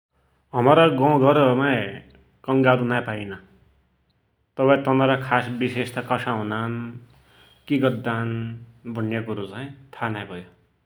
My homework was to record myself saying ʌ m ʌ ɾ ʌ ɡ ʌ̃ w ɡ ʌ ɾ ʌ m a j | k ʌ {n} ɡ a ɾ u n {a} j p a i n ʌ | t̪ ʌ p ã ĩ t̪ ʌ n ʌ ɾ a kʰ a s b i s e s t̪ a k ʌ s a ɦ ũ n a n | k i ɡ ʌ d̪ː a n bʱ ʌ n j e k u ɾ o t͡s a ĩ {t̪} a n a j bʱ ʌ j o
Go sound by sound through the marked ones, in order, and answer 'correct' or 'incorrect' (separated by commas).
incorrect, correct, incorrect